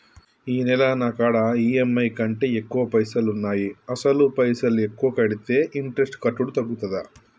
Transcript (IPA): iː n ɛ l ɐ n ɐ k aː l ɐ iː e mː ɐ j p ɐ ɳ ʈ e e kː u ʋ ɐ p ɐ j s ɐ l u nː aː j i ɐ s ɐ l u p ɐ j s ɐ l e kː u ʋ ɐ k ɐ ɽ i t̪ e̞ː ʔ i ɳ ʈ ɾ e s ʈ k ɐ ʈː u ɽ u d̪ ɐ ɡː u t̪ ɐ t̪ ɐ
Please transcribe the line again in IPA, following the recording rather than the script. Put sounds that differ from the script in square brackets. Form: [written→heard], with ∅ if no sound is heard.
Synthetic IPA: iː n ɛ l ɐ n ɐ k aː [l→ɽ] ɐ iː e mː ɐ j [p→k] ɐ ɳ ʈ e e kː u ʋ ɐ p ɐ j s ɐ l u nː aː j i ɐ s ɐ l u p ɐ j s ɐ l e kː u ʋ ɐ k ɐ ɽ i t̪ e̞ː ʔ i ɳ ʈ ɾ e s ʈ k ɐ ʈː u ɽ u [d̪→t̪] ɐ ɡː u t̪ ɐ [t̪→d̪] ɐ

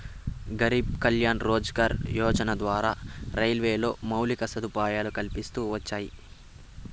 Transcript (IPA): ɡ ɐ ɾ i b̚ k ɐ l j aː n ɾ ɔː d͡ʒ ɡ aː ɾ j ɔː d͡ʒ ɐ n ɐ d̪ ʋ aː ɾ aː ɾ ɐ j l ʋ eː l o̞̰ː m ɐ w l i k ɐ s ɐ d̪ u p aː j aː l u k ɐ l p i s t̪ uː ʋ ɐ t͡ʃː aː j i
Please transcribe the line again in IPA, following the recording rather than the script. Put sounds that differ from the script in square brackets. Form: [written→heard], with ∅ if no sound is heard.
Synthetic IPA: ɡ ɐ ɾ i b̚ k ɐ l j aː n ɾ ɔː d͡ʒ ɡ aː ɾ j ɔː d͡ʒ ɐ n ɐ d̪ ʋ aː ɾ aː ɾ ɐ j l ʋ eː l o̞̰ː m ɐ w l i k ɐ s ɐ d̪ u p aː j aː l u k ɐ l p i s t̪ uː ʋ ɐ t͡ʃː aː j i

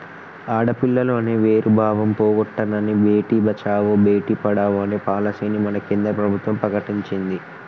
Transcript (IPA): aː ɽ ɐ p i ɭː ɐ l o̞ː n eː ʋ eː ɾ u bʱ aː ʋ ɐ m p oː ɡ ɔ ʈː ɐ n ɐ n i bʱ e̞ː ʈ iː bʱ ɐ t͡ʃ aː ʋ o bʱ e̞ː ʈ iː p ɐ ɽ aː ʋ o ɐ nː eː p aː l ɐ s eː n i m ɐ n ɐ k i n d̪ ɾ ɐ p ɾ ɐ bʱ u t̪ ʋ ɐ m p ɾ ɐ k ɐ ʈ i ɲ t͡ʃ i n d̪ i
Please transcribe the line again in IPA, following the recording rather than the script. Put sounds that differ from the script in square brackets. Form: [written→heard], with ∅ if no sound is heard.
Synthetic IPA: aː ɽ ɐ p i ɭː ɐ l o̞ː n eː ʋ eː ɾ u bʱ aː ʋ ɐ m p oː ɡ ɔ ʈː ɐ n ɐ n i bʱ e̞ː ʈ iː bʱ ɐ t͡ʃ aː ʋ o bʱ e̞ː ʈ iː p ɐ ɽ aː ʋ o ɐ [nː→n] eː p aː l ɐ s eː n i m ɐ n ɐ k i n d̪ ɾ ɐ p ɾ ɐ bʱ u t̪ ʋ ɐ m p ɾ ɐ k ɐ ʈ i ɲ t͡ʃ i n d̪ i

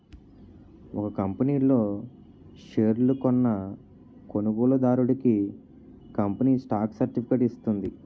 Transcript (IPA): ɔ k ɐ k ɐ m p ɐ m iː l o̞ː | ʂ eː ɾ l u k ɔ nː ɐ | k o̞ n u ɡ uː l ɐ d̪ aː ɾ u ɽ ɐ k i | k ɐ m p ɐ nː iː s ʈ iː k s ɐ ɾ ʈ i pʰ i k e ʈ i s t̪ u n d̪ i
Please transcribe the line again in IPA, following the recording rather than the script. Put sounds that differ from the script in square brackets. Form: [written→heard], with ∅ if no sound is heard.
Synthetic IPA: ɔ k ɐ k ɐ m p ɐ [m→n] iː l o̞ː | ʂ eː ɾ l u k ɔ nː ɐ | k o̞ n u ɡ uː l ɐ d̪ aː ɾ u ɽ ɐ k i | k ɐ m p ɐ [nː→n] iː s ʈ [iː→aː] k s ɐ ɾ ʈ i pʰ i k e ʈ i s t̪ u n d̪ i

